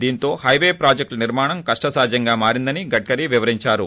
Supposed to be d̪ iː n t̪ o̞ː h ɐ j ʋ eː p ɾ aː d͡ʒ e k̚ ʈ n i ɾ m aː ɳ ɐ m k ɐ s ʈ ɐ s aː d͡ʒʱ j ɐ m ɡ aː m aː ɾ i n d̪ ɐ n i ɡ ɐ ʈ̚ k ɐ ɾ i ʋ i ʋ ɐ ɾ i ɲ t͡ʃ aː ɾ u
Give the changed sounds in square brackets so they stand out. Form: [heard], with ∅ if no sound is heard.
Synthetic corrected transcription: d̪ iː n t̪ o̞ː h ɐ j ʋ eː p ɾ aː d͡ʒ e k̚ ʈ n i ɾ m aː ɳ ɐ m k ɐ [ʂ] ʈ ɐ s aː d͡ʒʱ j ɐ [ŋ] ɡ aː m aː ɾ i n d̪ ɐ n i ɡ ɐ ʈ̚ k ɐ ɾ i ʋ i ʋ ɐ ɾ i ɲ t͡ʃ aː ɾ u